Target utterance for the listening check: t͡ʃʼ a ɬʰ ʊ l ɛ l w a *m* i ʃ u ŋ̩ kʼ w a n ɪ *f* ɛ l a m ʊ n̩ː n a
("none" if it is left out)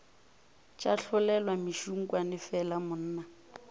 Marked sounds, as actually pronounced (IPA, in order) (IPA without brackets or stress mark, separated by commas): m, f